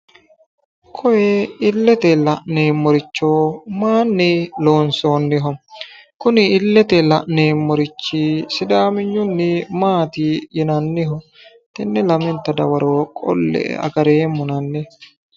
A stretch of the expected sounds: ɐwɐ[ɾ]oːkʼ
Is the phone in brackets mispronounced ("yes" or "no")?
no